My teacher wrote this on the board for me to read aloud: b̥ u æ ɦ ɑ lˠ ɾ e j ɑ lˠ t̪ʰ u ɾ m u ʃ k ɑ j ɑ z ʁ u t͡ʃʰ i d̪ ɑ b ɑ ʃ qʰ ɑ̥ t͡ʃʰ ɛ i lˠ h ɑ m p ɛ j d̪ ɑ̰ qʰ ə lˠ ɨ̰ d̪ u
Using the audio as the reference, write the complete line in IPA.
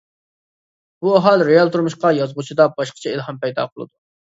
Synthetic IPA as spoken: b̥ u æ ɦ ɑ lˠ ɾ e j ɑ lˠ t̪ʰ u ɾ m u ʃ q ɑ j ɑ z ʁ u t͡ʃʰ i d̪ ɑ b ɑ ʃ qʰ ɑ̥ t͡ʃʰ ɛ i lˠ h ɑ m p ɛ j d̪ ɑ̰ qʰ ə lˠ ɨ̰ d̪ u

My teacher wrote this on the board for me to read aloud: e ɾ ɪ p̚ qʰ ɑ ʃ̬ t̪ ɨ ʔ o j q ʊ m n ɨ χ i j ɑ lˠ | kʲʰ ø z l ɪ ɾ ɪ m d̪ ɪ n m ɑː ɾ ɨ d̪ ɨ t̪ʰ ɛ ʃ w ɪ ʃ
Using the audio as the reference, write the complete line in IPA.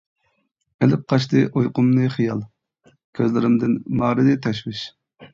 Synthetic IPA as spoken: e l ɪ p̚ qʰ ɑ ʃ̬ t̪ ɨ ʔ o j q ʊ m n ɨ χ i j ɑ lˠ | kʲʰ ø z l ɪ ɾ ɪ m d̪ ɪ n m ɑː ɾ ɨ d̪ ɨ t̪ʰ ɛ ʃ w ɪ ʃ

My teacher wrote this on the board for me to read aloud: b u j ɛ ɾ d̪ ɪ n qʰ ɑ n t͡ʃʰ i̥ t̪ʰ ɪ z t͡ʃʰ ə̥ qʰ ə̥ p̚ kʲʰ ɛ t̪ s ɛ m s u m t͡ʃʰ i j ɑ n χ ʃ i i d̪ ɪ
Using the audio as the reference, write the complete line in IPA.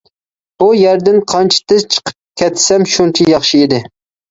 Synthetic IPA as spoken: b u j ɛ ɾ d̪ ɪ n qʰ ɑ n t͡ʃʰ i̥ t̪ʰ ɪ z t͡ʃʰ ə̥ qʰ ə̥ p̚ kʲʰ ɛ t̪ s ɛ m ʃ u n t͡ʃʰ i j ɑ χ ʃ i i d̪ ɪ

